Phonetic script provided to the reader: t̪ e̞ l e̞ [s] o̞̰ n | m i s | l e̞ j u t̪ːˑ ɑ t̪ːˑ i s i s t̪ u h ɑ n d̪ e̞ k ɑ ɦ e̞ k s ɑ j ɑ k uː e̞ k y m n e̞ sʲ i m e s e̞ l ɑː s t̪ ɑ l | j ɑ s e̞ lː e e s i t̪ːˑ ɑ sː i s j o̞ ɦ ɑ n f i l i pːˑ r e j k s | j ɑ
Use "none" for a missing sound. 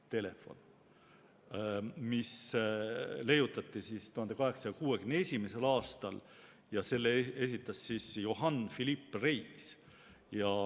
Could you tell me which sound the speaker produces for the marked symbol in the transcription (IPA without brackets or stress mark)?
f